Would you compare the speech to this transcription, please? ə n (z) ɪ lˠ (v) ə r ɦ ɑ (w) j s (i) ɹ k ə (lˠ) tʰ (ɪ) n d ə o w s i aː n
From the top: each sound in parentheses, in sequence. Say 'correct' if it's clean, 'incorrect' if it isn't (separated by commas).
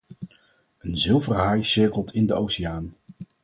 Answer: correct, correct, incorrect, incorrect, correct, correct